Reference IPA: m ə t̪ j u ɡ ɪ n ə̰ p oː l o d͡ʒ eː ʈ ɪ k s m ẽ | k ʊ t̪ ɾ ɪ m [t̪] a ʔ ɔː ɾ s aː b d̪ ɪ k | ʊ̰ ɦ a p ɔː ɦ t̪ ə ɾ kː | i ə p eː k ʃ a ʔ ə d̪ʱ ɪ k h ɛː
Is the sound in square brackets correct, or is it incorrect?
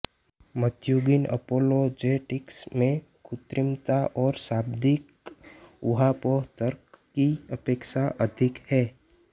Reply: correct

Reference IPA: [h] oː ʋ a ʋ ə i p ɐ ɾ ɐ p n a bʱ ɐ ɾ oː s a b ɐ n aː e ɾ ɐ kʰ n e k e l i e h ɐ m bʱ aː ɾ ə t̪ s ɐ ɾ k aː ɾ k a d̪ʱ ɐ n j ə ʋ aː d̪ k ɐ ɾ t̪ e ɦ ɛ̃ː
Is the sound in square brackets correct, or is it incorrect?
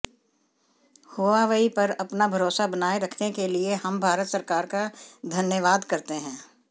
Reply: correct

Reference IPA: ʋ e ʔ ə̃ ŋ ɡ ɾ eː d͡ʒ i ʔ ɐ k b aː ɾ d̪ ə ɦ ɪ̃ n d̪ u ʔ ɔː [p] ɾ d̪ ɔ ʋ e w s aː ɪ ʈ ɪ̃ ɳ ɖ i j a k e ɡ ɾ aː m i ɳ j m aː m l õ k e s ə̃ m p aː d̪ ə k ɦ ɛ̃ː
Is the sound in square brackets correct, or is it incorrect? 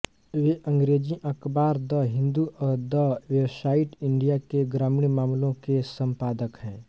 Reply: incorrect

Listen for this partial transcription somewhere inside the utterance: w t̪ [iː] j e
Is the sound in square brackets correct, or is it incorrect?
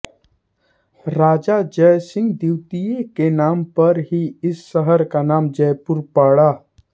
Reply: incorrect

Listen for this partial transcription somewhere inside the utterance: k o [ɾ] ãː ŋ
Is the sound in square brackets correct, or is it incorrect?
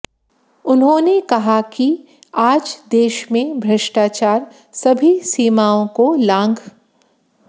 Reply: incorrect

